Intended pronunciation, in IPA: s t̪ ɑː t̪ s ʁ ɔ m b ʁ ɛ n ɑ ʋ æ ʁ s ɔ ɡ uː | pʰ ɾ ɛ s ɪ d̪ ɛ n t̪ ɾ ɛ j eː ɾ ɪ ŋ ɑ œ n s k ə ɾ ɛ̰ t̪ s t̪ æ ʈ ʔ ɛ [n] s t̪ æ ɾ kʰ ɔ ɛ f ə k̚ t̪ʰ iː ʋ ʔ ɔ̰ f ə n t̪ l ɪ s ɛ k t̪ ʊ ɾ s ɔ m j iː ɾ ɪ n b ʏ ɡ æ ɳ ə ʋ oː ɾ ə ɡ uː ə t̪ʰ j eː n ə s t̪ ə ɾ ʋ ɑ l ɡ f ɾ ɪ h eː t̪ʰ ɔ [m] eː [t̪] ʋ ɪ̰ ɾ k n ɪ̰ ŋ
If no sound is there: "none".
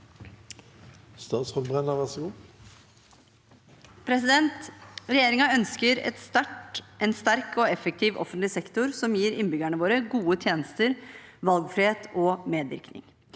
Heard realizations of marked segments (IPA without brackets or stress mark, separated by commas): n, m, d̪